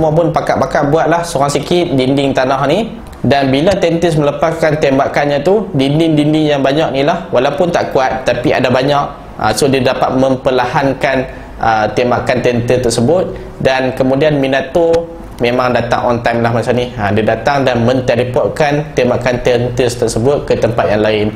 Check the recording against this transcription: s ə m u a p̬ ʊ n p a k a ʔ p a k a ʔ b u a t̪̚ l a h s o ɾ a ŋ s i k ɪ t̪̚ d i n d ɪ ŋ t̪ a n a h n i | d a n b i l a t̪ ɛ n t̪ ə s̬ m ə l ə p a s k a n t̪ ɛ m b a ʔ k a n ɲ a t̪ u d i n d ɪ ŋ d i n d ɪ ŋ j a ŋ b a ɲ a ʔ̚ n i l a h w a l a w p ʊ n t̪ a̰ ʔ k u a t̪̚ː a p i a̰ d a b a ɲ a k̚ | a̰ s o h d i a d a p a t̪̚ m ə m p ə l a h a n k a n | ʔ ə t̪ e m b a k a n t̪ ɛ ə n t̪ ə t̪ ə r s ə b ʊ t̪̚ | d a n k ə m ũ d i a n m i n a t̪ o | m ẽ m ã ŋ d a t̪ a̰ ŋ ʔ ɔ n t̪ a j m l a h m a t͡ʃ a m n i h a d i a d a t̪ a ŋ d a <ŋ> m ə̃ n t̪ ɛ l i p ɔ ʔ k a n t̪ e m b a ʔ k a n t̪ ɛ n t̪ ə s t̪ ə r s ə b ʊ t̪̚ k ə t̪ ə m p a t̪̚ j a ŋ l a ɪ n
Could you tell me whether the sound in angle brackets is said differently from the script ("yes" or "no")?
yes